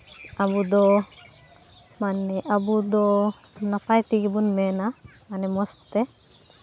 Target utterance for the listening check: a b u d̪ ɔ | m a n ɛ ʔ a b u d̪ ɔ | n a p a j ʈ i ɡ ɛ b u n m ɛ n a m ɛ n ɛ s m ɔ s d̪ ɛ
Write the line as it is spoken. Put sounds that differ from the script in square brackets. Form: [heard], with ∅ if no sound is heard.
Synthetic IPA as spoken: a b u d̪ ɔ | m a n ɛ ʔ a b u d̪ ɔ | n a p a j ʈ i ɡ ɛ b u n m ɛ n a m [a] n ɛ [∅] m ɔ s [t̪] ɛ